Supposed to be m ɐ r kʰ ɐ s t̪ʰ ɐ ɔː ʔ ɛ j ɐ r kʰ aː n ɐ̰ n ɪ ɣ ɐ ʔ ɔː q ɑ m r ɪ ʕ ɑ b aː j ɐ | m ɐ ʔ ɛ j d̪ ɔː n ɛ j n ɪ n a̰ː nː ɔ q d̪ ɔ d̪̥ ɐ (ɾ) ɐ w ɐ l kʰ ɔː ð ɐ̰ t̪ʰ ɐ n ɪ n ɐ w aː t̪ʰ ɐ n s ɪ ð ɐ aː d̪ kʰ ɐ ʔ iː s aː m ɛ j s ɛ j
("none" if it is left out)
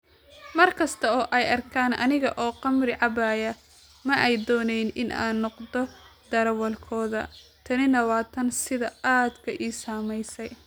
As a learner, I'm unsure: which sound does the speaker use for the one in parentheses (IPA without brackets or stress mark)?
ɾ